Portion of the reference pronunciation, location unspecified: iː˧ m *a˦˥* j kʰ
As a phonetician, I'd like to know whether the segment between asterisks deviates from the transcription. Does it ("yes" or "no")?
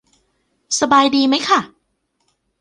no